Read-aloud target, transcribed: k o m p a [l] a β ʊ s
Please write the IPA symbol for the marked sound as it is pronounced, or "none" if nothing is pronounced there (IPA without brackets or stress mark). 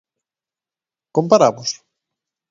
ɾ